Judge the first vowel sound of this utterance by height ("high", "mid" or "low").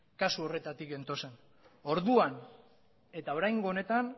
low